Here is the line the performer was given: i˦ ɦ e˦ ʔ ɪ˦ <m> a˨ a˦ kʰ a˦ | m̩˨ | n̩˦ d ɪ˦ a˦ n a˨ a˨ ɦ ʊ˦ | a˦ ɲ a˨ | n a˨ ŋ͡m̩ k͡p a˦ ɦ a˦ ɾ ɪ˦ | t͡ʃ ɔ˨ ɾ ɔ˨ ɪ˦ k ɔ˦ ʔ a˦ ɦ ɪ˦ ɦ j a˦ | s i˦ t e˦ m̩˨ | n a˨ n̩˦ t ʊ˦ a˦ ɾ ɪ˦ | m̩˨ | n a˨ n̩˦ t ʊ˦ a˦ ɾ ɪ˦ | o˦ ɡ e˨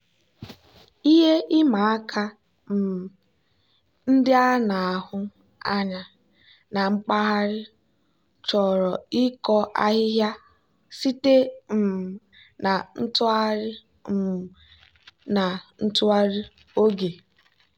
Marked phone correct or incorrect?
correct